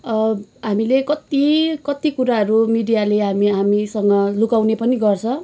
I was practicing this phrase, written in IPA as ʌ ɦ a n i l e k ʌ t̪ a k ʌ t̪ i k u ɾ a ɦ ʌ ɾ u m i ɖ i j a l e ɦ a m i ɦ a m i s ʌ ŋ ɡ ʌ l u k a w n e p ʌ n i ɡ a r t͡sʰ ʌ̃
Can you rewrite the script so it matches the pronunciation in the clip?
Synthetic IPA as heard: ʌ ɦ a m i l e k ʌ t̪ i k ʌ t̪ i k u ɾ a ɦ ʌ ɾ u m i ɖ i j a l e ɦ a m i ɦ a m i s ʌ ŋ ɡ ʌ l u k a w n e p ʌ n i ɡ ʌ r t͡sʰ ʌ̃